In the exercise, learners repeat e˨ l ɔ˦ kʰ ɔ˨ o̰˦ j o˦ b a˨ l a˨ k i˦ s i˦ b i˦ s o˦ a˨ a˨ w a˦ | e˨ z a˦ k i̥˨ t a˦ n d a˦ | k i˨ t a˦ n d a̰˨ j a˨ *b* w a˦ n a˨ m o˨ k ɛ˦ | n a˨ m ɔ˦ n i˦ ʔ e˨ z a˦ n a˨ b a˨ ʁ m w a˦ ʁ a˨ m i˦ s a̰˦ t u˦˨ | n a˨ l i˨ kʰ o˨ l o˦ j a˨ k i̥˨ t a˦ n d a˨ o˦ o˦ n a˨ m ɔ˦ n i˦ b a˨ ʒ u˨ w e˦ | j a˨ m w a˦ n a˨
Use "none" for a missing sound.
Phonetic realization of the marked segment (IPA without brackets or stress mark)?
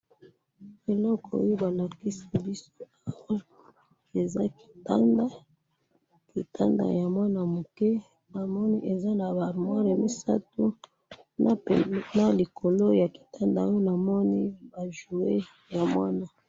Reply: m